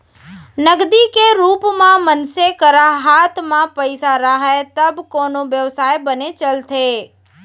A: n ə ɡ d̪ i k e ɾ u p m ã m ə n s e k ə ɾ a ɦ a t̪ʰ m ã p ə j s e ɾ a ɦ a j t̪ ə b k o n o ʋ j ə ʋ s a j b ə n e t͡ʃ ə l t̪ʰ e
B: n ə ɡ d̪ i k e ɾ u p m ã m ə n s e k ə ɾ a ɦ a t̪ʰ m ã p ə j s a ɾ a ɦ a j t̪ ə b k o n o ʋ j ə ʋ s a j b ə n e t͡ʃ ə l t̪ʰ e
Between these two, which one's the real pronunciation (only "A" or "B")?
B